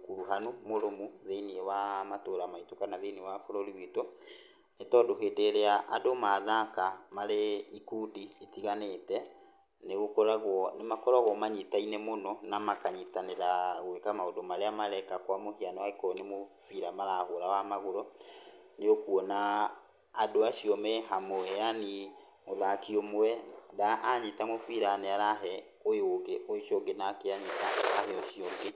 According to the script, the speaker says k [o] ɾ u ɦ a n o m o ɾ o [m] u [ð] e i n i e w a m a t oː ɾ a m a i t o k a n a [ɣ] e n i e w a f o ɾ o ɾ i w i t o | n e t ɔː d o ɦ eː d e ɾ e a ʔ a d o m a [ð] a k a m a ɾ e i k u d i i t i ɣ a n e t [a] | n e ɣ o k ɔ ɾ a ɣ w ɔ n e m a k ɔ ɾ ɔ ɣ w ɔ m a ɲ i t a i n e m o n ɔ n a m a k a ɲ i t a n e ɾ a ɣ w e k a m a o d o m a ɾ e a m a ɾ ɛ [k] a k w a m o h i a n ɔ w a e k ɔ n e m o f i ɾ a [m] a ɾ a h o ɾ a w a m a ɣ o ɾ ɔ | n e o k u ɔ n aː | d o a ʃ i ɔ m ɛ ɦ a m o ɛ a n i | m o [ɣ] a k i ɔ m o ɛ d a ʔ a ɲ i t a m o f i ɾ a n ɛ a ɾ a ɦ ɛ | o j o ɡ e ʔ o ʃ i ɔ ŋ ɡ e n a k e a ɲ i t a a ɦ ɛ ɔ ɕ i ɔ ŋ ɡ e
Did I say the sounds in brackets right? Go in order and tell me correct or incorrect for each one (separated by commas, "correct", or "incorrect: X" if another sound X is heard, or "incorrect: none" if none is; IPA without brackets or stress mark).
incorrect: u, correct, correct, incorrect: ð, correct, incorrect: ɛ, correct, correct, incorrect: ð